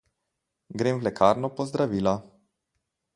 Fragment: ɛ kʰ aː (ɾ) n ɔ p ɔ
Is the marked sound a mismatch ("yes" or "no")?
no